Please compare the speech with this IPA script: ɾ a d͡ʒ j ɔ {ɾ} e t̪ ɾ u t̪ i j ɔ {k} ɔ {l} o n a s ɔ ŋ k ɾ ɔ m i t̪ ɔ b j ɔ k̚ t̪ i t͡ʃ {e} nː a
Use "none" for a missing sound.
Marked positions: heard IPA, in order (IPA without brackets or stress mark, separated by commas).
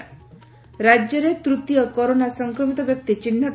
ɾ, k, ɾ, i